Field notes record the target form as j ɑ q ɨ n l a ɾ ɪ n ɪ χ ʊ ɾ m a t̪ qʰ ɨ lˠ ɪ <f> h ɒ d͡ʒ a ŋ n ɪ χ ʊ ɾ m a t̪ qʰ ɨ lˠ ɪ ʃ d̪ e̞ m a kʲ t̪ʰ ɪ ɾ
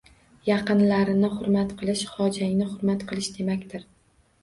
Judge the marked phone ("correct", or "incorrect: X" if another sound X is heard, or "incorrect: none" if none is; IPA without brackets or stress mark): incorrect: ʃ